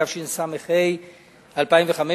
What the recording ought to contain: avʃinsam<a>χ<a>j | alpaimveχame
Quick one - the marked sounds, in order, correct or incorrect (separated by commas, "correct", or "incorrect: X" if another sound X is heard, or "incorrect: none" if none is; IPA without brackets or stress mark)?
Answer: incorrect: e, incorrect: e